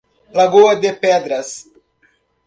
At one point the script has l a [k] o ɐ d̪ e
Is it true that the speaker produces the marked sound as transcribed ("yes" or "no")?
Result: no